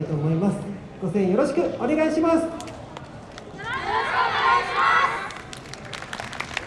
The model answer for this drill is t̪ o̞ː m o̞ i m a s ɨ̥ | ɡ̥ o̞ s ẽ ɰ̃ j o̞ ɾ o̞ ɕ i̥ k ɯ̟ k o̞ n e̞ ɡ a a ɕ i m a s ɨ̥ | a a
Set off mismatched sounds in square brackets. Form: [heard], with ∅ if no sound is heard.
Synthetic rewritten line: t̪ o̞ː m o̞ i m a s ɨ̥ | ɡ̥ o̞ s ẽ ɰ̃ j o̞ ɾ o̞ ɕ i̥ k ɯ̟ [∅] o̞ n e̞ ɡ a [i] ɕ i m a s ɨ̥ | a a